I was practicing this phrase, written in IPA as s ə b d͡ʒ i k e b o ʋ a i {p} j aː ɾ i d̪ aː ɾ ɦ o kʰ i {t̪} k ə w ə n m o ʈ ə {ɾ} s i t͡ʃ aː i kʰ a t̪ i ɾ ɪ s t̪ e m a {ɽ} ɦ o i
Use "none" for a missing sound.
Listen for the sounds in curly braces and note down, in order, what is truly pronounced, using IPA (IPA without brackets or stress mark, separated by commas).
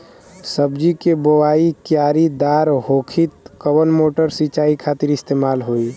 k, t̪, ɾ, l